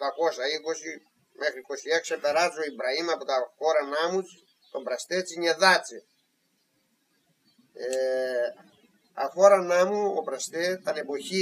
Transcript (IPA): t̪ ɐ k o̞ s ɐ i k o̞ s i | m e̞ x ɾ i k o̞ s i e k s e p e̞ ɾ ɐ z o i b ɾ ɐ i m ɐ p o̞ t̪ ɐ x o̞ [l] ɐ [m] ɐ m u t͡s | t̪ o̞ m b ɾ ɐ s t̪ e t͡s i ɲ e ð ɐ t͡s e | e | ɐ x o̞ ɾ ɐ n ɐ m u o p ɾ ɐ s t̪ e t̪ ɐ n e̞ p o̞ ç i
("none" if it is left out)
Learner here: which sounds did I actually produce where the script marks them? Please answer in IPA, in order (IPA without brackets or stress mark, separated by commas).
ɾ, n